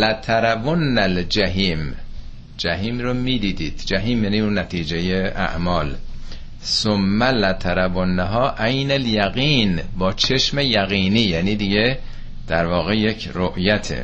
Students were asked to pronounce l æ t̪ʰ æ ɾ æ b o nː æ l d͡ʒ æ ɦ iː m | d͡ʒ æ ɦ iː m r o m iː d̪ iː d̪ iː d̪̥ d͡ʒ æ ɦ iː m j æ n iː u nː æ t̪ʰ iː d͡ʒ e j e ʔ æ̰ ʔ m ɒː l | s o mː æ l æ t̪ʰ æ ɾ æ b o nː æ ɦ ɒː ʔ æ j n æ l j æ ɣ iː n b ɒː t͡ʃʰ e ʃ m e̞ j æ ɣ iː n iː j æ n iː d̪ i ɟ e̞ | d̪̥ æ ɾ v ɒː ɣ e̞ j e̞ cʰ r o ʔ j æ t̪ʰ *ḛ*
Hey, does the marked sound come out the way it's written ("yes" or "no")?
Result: yes